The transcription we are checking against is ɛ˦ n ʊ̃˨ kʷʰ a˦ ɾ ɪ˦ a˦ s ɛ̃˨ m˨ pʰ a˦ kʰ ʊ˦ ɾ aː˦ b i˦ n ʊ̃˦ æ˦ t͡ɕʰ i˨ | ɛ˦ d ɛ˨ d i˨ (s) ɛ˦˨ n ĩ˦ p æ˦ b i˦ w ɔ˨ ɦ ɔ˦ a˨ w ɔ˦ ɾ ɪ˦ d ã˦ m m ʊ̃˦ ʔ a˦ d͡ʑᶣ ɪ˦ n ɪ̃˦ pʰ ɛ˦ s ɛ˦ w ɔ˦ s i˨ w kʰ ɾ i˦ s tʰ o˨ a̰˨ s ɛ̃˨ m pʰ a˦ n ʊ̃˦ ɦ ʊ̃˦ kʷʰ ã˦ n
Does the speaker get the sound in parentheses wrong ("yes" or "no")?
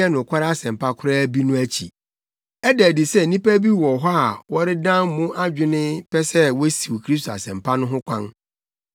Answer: no